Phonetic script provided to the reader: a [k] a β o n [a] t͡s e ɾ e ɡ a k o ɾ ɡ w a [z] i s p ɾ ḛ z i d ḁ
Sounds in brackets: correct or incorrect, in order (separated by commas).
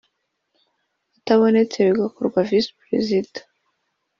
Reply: incorrect, incorrect, incorrect